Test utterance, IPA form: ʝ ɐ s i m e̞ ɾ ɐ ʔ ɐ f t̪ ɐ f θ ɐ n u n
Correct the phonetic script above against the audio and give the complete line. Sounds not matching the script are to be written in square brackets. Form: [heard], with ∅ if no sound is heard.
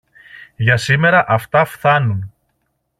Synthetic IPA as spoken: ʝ ɐ s i m e̞ ɾ ɐ ʔ ɐ f t̪ ɐ f θ ɐ n u n